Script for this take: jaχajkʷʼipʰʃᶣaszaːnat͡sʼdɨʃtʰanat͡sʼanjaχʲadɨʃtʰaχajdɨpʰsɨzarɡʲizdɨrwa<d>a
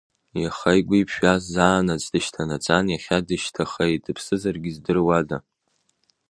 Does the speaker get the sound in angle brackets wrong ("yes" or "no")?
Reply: no